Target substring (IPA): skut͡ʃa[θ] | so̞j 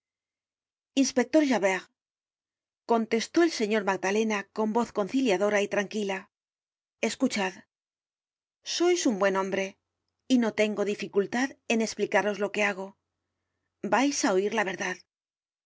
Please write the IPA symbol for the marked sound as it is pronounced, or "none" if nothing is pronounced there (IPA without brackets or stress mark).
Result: ð